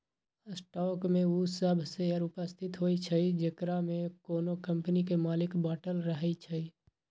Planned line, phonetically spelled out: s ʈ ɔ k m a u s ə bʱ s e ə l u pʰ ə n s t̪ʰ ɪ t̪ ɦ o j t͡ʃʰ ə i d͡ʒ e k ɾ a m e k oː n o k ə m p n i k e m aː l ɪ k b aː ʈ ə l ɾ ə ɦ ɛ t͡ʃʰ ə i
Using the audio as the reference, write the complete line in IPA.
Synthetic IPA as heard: s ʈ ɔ k m e u s ə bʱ s e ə ɾ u p ə s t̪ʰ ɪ t̪ ɦ o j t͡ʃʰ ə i d͡ʒ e k ɾ a m e k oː n o k ə m p n i k e m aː l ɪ k b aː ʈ ə l ɾ ə ɦ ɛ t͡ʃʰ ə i